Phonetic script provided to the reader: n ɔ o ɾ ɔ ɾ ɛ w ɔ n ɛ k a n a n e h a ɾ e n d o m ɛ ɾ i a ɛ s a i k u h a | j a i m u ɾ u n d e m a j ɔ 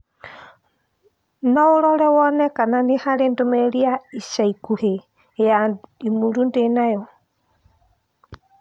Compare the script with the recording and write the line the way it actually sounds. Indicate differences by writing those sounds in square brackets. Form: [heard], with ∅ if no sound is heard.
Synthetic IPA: n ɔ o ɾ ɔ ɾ ɛ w ɔ n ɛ k a n a n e h a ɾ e n d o m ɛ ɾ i a [i] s a i k u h [e] | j a i m u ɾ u n d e [n] a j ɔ